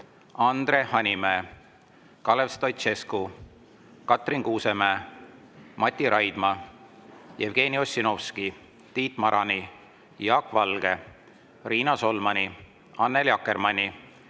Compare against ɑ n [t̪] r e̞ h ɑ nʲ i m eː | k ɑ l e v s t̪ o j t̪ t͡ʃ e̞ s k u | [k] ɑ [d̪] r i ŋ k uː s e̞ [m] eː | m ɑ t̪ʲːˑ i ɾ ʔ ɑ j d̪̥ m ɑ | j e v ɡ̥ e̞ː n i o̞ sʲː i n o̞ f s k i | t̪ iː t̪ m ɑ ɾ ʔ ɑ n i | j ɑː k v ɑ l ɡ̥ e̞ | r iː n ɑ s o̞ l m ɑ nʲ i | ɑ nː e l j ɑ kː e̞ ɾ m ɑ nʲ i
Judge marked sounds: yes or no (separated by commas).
no, yes, no, yes